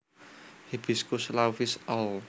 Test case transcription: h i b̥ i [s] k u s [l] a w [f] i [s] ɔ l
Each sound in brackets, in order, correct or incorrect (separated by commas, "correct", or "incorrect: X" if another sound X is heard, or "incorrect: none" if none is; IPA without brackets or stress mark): correct, correct, correct, correct